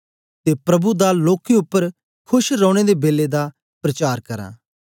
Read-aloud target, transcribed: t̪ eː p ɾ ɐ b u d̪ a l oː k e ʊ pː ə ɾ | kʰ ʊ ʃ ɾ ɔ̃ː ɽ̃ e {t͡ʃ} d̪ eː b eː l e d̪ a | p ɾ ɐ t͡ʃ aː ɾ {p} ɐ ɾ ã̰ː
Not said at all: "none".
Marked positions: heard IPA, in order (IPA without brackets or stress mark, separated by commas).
none, k